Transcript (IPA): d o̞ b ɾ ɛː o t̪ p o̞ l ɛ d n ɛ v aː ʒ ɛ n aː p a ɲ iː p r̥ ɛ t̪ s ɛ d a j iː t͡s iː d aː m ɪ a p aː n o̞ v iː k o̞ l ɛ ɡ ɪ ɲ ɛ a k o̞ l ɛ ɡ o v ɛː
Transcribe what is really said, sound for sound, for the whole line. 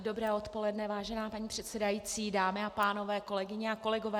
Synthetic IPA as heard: d o̞ b ɾ ɛː o t̪ p o̞ l ɛ d n ɛ v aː ʒ ɛ n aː p a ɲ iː p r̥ ɛ t̪ s ɛ d a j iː t͡s iː d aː m ɪ a p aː n o̞ v ɛː k o̞ l ɛ ɡ ɪ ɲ ɛ a k o̞ l ɛ ɡ o v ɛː